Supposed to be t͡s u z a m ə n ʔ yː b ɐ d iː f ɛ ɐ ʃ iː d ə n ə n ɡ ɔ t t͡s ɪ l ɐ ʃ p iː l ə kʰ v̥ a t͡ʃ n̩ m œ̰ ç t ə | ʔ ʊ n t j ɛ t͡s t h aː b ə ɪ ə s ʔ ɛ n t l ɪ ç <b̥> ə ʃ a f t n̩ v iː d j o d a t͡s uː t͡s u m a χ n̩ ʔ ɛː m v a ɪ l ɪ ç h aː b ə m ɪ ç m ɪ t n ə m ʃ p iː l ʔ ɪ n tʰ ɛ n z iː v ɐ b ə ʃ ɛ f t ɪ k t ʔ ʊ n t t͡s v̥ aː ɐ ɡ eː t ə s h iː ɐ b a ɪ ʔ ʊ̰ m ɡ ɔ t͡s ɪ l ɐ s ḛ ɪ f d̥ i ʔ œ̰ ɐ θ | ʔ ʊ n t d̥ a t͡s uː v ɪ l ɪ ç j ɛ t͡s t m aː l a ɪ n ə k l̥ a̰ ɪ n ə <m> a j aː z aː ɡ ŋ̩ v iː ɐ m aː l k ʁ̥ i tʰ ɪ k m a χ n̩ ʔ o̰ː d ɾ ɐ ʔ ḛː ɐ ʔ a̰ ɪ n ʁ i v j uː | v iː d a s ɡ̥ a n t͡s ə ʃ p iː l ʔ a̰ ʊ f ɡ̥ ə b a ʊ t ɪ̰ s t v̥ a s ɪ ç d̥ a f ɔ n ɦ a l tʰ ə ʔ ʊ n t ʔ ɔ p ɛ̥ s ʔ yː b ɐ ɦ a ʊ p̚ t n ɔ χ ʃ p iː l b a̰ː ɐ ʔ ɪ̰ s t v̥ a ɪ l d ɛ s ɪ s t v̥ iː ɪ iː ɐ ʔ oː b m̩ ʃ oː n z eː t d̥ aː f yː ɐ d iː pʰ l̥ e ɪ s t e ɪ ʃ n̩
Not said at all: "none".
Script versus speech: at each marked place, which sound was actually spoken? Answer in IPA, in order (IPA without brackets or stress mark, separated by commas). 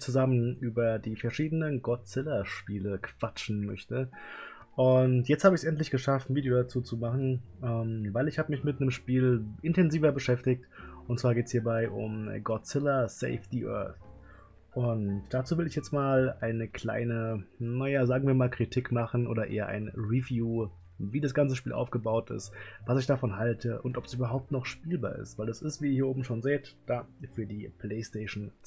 ɡ̥, n